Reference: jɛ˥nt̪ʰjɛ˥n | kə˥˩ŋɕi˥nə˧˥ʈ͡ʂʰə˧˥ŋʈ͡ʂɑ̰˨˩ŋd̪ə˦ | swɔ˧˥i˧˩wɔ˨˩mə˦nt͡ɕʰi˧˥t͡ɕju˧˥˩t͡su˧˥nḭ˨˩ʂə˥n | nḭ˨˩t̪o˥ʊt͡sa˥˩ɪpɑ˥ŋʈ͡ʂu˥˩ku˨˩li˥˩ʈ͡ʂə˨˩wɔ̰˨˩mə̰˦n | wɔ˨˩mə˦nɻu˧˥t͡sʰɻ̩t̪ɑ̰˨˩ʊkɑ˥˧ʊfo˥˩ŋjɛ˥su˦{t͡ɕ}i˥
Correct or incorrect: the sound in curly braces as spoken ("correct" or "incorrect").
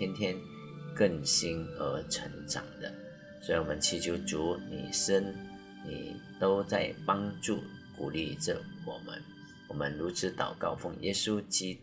correct